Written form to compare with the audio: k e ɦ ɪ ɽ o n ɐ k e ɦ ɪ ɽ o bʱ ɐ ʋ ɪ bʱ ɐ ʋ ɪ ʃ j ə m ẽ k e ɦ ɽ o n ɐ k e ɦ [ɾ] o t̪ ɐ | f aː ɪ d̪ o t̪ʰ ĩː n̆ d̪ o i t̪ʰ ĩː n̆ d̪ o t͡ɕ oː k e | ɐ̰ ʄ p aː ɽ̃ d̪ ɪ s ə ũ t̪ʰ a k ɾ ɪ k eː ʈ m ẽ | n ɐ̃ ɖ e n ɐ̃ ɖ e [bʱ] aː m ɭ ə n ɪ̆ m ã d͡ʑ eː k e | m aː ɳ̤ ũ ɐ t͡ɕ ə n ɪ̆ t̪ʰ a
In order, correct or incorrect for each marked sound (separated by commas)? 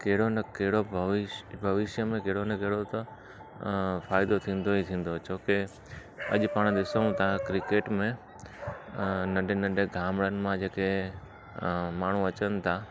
incorrect, incorrect